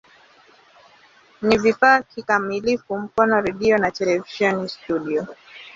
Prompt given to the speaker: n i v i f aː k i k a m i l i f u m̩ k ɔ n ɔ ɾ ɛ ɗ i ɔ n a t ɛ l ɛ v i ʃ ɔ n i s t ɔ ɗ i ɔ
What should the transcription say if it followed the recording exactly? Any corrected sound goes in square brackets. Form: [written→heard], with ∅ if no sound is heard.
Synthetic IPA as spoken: n i v i f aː k i k a m i l i f u m̩ k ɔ n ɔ ɾ ɛ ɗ i ɔ n a t ɛ l ɛ v i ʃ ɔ n i s t [ɔ→u] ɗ i ɔ